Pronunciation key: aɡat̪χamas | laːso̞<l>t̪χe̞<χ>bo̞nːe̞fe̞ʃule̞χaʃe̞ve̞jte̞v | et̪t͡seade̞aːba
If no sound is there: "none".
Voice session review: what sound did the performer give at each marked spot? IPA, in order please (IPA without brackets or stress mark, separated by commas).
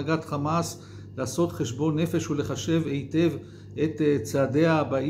none, ʃ